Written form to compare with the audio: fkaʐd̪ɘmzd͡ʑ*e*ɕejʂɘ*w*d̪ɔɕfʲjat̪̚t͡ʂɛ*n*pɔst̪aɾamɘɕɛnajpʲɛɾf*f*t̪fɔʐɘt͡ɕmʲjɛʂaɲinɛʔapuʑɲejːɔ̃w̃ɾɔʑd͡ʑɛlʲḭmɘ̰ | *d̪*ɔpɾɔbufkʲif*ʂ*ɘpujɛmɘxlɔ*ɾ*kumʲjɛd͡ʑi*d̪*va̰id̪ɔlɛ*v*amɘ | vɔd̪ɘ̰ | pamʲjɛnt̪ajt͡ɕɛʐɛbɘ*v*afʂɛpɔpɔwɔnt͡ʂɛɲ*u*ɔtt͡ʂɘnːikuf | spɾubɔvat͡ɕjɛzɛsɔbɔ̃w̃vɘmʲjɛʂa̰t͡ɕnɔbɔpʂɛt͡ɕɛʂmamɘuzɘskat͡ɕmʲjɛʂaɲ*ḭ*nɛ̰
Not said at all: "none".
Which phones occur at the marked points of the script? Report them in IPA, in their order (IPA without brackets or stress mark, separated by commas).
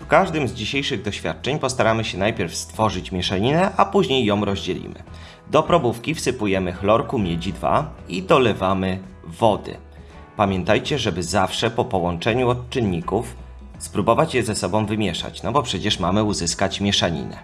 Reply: i, ɣ, ɲ, s, d̪, s, ɾ, d̪, v, z, u, ḭ